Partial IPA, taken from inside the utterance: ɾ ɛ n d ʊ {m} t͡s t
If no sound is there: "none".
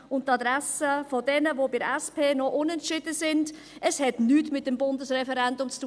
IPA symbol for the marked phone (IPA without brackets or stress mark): m